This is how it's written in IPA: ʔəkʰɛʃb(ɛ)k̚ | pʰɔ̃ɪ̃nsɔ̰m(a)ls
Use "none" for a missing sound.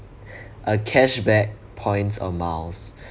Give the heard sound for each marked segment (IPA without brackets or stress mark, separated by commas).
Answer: ɛ, a